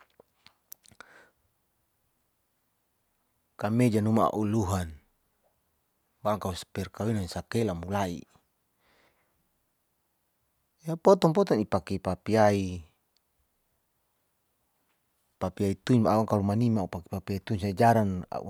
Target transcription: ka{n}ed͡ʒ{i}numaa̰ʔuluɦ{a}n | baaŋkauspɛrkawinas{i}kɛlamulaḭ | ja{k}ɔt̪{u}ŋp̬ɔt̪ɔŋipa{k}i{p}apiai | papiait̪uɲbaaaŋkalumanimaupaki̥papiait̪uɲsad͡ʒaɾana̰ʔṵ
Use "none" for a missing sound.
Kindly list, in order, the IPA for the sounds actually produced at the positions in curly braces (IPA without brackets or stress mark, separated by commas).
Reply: m, a, a, a, p, ɔ, k, p